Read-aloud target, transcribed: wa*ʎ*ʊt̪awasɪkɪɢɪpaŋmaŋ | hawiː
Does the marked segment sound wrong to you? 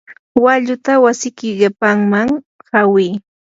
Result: no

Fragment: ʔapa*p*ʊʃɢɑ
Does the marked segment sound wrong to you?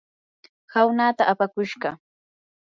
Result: yes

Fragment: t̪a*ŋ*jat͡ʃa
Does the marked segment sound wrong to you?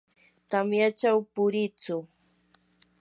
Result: yes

